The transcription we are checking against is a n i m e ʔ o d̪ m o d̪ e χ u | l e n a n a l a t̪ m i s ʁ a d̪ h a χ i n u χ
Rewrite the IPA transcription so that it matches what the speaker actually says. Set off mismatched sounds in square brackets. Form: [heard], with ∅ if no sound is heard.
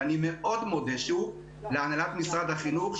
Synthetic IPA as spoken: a n i m e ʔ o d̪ m o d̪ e [ʃ] u | l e [∅] a n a l a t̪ m i s ʁ a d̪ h a χ i n u χ